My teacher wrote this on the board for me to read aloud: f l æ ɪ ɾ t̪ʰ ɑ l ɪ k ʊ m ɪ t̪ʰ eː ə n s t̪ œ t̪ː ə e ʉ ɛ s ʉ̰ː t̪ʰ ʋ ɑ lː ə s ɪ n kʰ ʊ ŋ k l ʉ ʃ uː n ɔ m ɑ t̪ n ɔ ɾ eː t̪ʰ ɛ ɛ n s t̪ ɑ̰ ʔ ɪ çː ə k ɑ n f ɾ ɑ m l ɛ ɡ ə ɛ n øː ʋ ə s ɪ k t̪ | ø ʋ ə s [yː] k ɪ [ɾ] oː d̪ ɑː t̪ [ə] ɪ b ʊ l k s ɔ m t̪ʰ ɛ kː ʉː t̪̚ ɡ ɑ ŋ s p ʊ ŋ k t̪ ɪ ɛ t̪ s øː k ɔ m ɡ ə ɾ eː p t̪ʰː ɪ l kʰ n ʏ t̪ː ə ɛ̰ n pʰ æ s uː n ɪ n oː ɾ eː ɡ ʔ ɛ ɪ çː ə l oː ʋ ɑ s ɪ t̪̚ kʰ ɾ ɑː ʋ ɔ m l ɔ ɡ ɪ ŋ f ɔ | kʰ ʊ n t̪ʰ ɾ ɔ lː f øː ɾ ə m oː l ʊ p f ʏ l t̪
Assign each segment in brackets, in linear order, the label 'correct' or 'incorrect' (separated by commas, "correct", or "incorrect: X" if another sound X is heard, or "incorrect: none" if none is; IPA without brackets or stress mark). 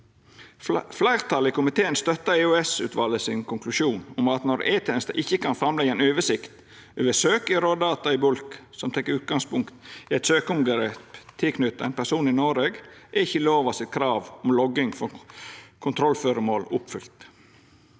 incorrect: øː, correct, incorrect: ɑ